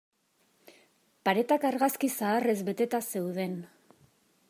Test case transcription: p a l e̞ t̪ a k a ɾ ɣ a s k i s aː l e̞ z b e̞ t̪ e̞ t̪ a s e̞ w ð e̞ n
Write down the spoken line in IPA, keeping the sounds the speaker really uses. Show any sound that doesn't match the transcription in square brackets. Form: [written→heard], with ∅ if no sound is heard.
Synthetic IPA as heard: p a [l→ɾ] e̞ t̪ a k a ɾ ɣ a s k i s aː [l→r] e̞ z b e̞ t̪ e̞ t̪ a s e̞ w ð e̞ n